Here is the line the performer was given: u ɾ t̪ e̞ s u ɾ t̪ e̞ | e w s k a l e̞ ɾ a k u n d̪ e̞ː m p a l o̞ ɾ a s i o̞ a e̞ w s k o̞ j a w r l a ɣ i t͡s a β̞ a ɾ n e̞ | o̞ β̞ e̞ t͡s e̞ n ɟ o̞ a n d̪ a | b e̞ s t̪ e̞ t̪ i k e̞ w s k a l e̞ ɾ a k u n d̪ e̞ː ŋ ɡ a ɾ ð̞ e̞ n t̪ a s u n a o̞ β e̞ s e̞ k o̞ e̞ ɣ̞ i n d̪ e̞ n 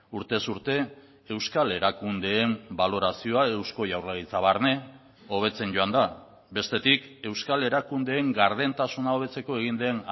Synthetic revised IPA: u ɾ t̪ e̞ s u ɾ t̪ e̞ | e w s k a l e̞ ɾ a k u n d̪ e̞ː m b a l o̞ ɾ a s i o̞ a e̞ w s k o̞ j a w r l a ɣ i t͡s a β̞ a ɾ n e̞ | o̞ β̞ e̞ t͡s e̞ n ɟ o̞ a n d̪ a | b e̞ s t̪ e̞ t̪ i k e̞ w s k a l e̞ ɾ a k u n d̪ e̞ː ŋ ɡ a ɾ ð̞ e̞ n t̪ a s u n a o̞ β e̞ t͡s e̞ k o̞ e̞ ɣ̞ i n d̪ e̞ n